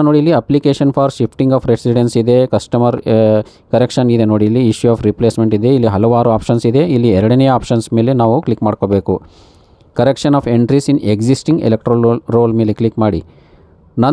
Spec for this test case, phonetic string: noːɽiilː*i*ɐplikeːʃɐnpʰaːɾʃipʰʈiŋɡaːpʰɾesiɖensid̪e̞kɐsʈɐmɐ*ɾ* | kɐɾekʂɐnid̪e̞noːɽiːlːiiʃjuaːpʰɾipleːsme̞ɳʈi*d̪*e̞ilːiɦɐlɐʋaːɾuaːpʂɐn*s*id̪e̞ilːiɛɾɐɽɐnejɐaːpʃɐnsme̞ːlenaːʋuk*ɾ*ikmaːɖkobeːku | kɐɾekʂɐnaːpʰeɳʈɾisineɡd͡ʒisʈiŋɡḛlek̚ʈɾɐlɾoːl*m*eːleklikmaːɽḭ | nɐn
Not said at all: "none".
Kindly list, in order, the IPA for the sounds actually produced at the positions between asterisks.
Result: i, ɾ, d̪, s, l, m

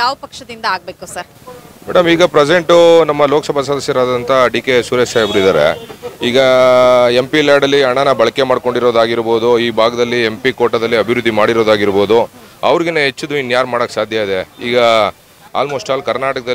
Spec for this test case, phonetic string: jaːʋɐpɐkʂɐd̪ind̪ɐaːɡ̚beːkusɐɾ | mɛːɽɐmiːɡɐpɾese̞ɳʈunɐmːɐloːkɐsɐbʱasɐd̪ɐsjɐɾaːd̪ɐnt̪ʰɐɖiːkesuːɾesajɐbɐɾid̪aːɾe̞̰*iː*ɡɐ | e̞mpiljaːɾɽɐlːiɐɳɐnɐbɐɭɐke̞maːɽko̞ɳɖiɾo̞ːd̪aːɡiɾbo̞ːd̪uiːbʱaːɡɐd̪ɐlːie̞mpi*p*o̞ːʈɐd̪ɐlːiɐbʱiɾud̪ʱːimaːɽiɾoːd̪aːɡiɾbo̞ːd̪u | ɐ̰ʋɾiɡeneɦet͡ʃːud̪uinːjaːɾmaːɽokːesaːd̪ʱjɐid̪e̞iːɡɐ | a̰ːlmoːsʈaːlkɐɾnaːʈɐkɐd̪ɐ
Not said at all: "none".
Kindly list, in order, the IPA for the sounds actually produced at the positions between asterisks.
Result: iː, k

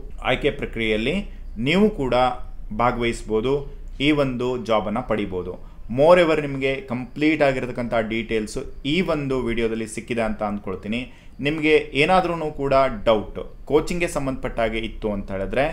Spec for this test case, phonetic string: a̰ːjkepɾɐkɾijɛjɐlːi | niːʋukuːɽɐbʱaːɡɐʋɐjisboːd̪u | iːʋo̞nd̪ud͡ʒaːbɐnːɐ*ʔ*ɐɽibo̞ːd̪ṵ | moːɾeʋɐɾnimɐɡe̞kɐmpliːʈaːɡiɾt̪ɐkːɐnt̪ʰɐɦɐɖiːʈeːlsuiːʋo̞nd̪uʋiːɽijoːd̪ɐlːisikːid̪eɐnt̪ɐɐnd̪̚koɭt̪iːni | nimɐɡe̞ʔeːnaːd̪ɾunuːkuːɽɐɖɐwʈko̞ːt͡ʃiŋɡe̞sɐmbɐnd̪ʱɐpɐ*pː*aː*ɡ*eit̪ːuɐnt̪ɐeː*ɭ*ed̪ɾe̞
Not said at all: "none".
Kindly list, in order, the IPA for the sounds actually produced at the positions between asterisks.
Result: p, ʈː, ɡ, ɭ

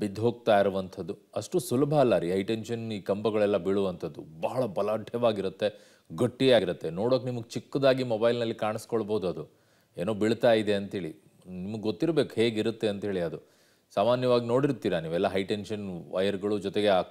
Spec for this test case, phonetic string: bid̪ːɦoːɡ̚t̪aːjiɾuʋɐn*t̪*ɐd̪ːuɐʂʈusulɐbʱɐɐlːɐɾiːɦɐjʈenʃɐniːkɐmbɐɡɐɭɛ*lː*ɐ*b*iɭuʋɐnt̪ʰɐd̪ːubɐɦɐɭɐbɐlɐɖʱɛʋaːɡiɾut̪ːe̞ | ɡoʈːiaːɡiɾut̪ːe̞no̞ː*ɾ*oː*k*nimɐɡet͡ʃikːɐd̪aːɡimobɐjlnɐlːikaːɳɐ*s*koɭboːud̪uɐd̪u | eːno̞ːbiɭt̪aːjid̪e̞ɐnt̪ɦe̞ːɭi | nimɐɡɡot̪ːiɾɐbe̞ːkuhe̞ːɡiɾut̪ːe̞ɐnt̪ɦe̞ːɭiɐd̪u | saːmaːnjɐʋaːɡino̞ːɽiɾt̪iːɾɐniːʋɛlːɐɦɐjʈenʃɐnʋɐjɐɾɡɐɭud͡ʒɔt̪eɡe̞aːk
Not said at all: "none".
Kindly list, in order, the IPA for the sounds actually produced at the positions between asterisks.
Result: t̪ʰ, lː, b, ɽ, k, s

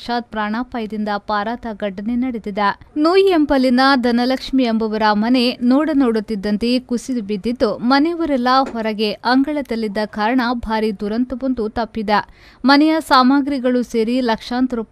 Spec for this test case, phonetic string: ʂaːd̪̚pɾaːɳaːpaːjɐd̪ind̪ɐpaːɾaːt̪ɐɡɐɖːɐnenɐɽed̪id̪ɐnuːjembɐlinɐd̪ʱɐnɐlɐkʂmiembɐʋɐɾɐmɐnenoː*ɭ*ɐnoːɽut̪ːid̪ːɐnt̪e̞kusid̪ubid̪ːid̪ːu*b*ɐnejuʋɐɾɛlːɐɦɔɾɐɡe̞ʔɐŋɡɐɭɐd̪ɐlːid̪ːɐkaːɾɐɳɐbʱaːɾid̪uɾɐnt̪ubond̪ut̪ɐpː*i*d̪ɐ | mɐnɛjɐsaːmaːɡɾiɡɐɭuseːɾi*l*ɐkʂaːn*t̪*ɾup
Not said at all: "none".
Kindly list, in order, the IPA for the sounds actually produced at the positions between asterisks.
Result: ɽ, m, i, l, t̪

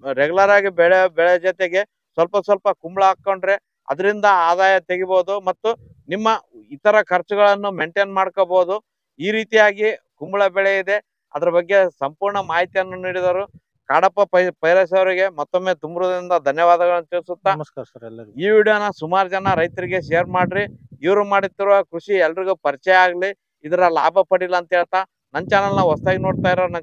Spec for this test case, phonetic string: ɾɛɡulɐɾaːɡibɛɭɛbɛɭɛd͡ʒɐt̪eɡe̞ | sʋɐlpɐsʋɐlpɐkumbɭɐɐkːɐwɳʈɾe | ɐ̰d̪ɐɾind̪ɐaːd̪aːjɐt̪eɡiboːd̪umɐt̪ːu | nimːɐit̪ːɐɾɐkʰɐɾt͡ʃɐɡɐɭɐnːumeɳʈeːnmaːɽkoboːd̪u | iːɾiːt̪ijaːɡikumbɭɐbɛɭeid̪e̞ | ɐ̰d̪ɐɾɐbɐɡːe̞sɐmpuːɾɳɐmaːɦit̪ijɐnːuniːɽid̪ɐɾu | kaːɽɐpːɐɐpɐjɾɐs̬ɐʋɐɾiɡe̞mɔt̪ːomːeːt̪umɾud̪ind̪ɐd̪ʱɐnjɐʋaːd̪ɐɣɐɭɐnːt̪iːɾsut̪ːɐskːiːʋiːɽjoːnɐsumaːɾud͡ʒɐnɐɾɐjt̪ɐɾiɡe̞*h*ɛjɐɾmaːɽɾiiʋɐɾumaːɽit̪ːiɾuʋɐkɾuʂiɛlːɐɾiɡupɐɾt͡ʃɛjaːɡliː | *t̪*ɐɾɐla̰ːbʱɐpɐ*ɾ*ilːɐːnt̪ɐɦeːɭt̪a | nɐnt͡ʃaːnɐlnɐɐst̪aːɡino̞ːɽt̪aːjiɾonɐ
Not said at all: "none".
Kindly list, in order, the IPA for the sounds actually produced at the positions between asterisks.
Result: ʃ, d̪, ɽ

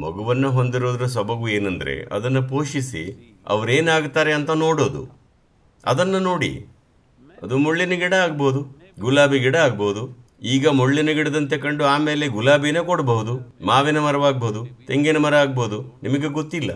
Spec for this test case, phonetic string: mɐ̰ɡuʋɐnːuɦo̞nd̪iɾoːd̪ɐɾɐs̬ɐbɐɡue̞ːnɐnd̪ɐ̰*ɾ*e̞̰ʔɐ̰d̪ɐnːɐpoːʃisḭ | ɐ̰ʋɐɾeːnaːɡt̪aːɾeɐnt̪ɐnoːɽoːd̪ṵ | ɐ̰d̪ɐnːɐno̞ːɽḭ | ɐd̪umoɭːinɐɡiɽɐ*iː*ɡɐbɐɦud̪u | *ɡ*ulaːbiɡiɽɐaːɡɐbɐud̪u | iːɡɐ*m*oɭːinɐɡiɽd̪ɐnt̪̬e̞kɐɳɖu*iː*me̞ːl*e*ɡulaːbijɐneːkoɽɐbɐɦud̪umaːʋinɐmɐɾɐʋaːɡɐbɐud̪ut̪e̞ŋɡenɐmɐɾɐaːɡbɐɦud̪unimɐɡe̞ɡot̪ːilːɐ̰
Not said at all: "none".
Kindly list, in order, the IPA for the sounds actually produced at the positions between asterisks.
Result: ɾ, aː, ɡ, m, aː, e

